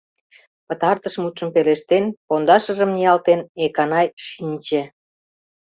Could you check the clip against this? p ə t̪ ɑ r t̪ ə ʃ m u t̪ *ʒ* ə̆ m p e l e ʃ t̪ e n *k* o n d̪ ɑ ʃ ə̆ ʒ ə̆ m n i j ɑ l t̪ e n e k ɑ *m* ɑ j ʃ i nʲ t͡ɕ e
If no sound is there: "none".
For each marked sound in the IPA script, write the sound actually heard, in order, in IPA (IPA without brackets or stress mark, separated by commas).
ʃ, p, n